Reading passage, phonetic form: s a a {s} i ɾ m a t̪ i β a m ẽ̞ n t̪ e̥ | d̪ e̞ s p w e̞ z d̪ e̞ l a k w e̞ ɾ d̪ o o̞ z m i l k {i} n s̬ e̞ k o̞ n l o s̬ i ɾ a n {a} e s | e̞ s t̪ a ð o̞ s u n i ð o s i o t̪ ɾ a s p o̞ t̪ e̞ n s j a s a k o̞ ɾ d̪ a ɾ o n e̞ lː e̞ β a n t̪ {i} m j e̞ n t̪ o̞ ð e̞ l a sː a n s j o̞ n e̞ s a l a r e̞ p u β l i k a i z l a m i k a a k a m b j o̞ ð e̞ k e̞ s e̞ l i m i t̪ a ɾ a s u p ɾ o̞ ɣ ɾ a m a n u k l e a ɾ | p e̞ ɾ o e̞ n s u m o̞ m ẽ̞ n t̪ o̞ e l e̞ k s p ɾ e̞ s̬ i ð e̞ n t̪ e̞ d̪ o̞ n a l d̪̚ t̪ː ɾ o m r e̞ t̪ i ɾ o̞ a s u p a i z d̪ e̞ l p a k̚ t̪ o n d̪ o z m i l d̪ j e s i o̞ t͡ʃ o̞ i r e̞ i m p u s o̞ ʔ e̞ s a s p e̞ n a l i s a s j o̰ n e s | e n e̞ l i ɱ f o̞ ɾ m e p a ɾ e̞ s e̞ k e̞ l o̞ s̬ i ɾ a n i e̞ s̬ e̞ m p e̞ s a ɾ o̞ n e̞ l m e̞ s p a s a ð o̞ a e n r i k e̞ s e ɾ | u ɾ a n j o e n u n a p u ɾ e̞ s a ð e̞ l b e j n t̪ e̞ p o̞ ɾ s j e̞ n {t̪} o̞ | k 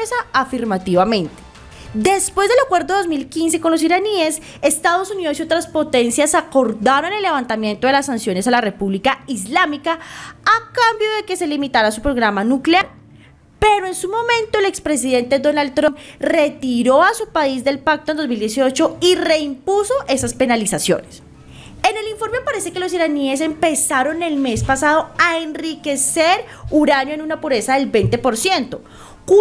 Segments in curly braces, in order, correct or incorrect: incorrect: f, correct, incorrect: i, incorrect: a, correct

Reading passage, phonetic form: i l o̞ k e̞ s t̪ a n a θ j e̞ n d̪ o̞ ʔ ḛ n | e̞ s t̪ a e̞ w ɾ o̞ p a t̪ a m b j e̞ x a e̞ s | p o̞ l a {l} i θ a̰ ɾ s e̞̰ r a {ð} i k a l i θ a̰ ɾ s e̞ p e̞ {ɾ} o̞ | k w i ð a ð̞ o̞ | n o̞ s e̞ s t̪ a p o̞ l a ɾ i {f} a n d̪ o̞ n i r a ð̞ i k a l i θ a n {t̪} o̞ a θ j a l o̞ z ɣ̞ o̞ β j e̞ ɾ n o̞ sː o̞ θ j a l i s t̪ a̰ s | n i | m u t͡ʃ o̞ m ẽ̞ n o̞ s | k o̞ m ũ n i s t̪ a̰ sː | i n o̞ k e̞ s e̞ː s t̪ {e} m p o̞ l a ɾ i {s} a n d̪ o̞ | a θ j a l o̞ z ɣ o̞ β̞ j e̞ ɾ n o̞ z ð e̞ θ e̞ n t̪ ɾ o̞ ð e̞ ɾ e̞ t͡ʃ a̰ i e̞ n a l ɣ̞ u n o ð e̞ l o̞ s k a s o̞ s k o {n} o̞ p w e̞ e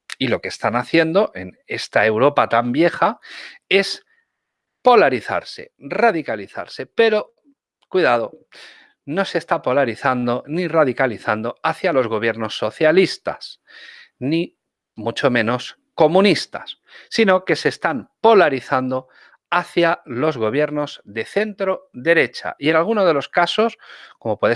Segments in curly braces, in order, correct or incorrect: incorrect: ɾ, correct, correct, incorrect: θ, incorrect: d̪, incorrect: a, incorrect: θ, incorrect: m

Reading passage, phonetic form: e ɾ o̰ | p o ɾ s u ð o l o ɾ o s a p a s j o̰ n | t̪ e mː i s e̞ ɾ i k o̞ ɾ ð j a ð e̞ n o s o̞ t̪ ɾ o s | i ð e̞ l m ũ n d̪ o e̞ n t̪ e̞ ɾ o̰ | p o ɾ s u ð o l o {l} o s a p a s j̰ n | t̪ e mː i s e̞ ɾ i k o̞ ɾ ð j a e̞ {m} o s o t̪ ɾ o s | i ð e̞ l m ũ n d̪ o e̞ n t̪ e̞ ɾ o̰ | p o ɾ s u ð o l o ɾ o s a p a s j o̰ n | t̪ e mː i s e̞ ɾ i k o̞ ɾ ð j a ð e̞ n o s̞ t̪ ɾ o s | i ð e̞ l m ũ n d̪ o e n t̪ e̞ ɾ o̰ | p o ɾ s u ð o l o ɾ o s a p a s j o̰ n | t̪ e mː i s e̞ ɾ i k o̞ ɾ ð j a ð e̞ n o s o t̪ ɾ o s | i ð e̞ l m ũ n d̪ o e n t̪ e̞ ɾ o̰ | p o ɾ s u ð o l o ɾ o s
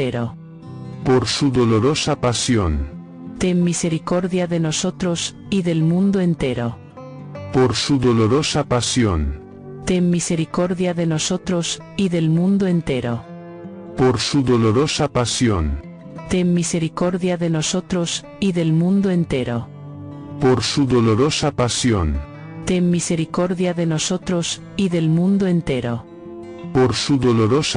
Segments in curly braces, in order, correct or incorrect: incorrect: ɾ, incorrect: n

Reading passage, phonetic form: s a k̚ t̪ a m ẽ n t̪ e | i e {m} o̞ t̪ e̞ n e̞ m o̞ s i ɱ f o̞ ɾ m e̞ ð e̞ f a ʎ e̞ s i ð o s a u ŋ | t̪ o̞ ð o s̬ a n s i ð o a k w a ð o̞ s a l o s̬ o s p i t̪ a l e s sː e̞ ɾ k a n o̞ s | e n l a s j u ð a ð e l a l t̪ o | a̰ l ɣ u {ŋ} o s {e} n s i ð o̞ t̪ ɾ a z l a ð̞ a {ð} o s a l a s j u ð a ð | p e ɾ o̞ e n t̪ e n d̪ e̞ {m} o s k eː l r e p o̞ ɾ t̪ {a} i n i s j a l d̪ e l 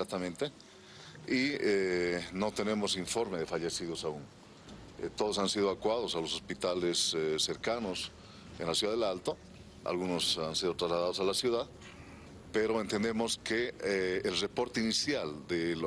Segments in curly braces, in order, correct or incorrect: incorrect: n, incorrect: n, incorrect: a, correct, correct, incorrect: e

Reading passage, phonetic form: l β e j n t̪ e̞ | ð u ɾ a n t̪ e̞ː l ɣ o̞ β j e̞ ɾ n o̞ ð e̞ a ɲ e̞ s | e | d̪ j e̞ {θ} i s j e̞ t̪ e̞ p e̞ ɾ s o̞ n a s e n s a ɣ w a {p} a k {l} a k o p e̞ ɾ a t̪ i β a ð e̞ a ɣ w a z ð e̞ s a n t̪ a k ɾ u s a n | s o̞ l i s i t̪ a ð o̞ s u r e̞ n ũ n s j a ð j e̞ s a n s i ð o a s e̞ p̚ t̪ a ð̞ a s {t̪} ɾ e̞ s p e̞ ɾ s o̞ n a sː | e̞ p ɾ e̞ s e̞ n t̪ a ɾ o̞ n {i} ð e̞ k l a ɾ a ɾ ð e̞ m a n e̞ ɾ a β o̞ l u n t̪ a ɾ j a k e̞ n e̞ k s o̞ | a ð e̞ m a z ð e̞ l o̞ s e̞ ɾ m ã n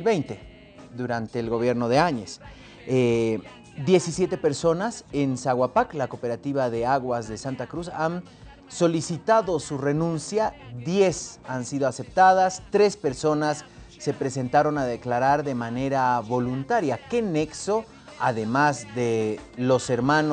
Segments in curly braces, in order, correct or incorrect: incorrect: s, correct, correct, correct, incorrect: a

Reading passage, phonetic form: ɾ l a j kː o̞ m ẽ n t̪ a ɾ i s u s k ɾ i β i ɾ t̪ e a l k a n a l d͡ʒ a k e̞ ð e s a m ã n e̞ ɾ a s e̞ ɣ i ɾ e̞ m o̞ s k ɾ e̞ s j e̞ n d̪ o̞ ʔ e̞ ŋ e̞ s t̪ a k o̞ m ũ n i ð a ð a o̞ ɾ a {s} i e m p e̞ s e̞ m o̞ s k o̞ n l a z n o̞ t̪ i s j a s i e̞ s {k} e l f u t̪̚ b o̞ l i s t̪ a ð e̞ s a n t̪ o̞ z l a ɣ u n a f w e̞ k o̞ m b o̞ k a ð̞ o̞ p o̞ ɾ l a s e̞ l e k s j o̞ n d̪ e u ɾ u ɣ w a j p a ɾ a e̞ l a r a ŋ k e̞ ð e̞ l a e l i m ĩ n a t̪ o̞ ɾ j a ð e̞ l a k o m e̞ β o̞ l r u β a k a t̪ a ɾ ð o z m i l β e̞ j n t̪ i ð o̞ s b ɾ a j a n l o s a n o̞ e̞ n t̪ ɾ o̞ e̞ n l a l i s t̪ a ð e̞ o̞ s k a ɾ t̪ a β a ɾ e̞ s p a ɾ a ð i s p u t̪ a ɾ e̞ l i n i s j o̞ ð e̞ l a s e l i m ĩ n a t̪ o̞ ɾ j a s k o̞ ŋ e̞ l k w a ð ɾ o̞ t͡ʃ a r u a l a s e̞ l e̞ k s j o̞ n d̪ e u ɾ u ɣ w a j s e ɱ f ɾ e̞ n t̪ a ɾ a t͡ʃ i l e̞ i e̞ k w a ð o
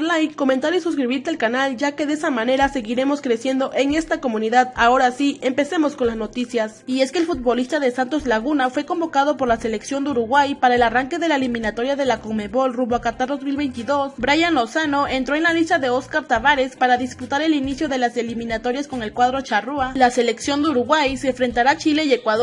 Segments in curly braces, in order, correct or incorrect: correct, correct

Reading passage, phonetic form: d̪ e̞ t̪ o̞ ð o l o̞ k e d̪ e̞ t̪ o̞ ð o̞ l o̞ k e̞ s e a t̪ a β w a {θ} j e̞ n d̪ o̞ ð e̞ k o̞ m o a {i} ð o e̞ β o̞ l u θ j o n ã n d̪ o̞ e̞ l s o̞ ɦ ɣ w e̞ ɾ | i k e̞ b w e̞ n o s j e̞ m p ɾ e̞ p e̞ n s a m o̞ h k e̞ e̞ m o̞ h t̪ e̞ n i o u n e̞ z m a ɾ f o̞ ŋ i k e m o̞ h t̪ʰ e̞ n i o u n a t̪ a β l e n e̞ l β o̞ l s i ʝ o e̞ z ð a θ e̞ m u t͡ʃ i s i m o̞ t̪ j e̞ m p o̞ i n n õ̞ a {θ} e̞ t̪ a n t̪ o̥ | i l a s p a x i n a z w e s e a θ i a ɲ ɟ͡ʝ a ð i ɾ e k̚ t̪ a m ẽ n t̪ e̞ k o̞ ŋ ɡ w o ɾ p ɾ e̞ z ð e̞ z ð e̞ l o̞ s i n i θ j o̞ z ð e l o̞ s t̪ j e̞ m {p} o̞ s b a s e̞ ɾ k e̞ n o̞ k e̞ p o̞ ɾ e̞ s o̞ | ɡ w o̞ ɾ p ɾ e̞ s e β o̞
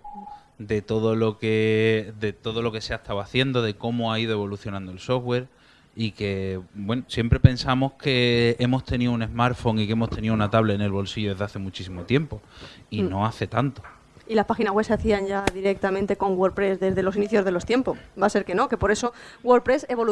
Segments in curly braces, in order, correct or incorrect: correct, correct, correct, correct

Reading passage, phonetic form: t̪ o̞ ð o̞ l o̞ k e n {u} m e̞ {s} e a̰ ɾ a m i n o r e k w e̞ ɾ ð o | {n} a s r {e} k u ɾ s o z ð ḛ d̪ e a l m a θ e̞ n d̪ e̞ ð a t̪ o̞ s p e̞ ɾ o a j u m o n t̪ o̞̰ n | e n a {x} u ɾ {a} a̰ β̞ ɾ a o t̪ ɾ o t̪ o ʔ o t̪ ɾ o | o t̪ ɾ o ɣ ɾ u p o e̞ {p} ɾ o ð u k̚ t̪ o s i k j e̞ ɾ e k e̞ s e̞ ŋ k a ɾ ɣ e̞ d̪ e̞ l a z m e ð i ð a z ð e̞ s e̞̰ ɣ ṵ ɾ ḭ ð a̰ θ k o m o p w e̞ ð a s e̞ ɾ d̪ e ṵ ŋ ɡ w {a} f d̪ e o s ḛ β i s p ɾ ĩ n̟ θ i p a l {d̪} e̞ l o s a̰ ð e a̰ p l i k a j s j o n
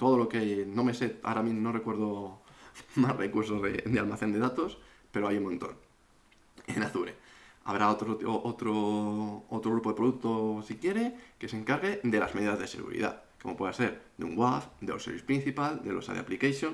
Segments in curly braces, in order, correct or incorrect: incorrect: o, correct, incorrect: m, correct, incorrect: θ, incorrect: e, correct, correct, correct

